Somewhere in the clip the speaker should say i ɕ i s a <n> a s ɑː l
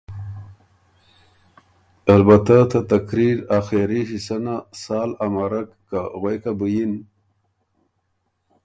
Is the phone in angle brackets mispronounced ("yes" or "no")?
no